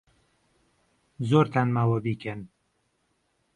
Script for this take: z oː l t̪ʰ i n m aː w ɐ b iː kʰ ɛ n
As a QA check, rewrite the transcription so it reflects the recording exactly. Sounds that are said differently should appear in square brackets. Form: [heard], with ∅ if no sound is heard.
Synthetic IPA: z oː [ɾ] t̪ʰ [a] n m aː w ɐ b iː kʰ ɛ n